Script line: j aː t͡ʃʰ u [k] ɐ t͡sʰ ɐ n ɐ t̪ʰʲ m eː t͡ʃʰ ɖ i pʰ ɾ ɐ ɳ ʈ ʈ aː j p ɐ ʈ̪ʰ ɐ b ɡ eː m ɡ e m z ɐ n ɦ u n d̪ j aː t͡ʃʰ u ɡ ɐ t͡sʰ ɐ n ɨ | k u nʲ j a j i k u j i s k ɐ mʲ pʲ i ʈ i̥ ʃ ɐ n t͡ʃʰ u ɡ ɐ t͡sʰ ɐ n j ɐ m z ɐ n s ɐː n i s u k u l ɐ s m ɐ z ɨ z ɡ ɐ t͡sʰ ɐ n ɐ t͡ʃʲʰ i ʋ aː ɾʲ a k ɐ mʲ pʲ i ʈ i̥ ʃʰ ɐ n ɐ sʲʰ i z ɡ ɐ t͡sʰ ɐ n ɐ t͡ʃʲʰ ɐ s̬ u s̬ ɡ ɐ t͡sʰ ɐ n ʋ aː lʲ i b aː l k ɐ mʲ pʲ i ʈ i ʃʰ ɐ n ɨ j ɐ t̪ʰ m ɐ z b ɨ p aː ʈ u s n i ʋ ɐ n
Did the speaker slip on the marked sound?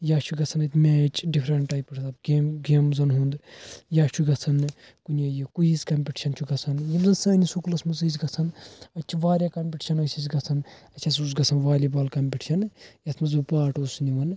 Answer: yes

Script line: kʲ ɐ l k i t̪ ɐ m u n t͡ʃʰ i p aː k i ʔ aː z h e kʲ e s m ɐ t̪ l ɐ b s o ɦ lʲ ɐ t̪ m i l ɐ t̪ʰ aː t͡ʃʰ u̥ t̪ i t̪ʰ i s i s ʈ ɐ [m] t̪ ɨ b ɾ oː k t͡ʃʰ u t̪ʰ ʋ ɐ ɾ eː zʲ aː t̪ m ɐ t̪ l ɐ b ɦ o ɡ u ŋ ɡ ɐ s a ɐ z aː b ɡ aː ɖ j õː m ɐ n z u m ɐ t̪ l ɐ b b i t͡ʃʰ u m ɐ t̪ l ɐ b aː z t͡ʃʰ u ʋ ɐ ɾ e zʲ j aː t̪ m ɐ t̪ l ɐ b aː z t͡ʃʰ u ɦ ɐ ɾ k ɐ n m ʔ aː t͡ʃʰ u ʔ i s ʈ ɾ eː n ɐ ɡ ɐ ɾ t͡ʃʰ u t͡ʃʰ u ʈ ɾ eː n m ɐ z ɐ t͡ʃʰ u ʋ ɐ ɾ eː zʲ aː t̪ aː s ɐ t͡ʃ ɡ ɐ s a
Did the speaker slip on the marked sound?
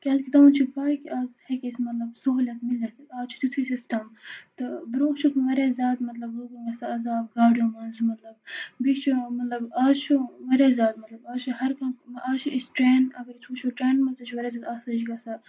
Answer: no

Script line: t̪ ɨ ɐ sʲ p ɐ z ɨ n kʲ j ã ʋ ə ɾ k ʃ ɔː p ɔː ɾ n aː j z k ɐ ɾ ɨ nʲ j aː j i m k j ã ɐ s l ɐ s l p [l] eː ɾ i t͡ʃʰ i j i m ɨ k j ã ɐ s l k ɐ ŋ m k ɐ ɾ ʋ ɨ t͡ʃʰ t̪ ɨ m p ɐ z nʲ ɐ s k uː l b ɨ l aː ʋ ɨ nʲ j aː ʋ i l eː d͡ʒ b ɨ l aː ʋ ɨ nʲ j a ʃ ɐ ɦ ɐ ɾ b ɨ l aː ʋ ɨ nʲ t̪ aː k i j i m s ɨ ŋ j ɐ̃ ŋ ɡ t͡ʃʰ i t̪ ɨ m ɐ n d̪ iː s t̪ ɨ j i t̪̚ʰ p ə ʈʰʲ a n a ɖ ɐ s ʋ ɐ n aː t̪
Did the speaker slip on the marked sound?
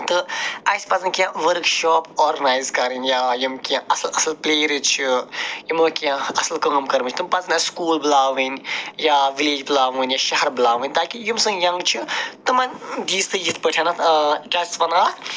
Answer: no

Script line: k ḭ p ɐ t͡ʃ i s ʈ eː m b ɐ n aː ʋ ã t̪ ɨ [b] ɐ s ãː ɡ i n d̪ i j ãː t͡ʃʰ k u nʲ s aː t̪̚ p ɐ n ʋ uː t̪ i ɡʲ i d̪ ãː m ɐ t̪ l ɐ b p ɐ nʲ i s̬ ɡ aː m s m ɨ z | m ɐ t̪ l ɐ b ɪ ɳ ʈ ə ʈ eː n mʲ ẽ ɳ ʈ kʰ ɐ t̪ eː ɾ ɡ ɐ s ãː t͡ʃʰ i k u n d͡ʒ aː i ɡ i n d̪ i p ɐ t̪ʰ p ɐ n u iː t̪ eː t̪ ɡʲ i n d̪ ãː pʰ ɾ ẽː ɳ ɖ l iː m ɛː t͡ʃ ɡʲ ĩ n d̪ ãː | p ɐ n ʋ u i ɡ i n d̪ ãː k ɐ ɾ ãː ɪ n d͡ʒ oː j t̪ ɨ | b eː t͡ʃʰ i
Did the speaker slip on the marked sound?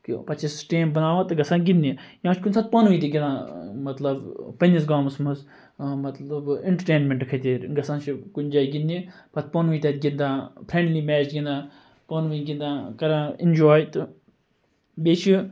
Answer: yes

